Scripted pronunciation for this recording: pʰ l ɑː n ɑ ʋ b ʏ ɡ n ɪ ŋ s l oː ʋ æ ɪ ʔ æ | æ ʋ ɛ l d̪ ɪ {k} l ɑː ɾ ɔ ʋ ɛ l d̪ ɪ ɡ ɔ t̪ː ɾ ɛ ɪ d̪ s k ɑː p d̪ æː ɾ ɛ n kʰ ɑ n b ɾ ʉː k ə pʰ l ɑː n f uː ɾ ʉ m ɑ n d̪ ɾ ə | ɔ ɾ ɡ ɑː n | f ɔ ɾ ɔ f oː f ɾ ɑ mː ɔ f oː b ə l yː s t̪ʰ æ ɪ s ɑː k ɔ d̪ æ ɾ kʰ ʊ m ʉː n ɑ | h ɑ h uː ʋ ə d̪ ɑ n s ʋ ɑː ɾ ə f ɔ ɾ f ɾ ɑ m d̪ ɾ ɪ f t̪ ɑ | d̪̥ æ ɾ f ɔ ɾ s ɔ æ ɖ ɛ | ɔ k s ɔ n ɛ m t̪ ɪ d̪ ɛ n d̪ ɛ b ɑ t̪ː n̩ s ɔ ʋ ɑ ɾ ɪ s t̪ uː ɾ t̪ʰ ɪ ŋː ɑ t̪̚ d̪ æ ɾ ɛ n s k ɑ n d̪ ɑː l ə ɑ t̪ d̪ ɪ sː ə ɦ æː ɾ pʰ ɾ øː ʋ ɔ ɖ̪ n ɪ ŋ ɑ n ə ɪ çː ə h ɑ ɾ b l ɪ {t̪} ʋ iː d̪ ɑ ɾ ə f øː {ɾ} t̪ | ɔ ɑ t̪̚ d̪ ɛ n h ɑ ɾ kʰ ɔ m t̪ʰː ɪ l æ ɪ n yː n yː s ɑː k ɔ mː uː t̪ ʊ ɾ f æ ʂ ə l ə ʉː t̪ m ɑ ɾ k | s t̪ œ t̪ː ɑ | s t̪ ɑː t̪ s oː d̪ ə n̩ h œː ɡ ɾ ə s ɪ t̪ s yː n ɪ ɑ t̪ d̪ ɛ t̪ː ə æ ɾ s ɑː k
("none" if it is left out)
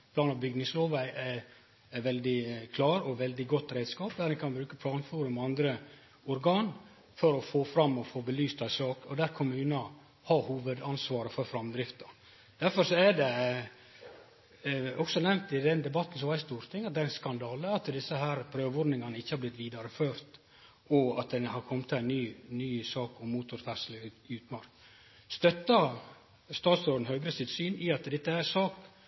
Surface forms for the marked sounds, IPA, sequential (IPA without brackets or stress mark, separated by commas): kʰ, t̪, ɾ